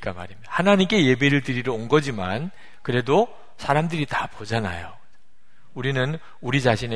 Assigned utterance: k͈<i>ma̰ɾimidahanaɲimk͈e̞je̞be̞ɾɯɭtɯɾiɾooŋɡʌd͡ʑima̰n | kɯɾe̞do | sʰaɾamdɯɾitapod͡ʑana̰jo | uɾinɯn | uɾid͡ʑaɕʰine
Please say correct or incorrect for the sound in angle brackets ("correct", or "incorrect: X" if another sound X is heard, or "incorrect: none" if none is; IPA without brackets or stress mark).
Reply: incorrect: a